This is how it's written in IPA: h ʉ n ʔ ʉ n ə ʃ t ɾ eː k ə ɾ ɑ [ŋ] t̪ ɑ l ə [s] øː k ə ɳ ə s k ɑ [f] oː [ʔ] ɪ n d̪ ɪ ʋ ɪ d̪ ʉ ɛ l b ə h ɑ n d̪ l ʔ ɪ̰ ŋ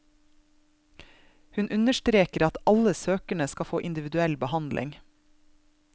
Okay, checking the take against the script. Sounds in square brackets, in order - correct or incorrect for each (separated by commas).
incorrect, correct, correct, correct